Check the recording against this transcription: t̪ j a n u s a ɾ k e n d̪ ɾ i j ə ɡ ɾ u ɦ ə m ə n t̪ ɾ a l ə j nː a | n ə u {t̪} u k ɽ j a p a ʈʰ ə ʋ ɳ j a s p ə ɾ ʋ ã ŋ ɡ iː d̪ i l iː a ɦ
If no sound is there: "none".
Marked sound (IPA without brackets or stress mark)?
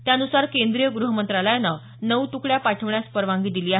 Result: t̪